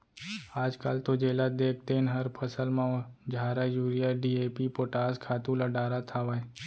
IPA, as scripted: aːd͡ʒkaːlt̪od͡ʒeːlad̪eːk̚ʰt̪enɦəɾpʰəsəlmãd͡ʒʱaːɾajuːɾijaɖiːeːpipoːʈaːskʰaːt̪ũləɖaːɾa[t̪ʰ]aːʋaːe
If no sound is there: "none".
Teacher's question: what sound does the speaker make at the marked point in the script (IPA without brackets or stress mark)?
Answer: t̪ʰ